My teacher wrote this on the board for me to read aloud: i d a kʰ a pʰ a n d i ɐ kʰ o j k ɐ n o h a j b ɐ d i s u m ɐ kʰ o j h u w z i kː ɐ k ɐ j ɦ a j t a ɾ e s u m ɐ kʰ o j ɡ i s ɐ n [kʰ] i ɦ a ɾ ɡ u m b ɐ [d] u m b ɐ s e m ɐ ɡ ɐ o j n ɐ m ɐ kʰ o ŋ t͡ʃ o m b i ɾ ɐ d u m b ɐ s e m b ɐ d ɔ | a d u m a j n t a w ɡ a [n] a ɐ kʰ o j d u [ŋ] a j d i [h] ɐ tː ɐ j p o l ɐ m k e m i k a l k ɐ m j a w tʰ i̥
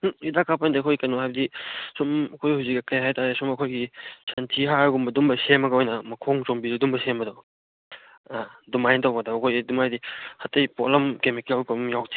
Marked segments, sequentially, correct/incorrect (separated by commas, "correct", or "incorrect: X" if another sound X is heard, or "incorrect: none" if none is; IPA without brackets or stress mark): incorrect: tʰ, correct, incorrect: d, incorrect: m, correct